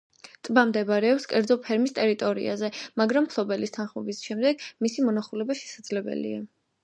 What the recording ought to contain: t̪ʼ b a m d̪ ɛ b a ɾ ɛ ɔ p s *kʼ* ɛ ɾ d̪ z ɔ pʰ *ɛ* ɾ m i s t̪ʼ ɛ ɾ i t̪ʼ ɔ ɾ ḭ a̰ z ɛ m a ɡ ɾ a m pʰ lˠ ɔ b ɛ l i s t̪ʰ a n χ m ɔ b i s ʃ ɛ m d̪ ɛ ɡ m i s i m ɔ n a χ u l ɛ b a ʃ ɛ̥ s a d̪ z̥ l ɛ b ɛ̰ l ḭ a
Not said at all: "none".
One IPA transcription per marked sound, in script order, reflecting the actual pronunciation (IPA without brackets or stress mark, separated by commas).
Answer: kʼ, ɛ